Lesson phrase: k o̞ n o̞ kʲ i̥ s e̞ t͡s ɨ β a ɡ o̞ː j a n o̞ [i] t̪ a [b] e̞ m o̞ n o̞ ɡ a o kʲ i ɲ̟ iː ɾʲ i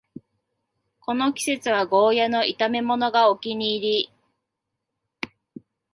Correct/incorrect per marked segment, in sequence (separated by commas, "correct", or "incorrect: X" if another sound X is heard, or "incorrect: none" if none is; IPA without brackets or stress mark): correct, incorrect: m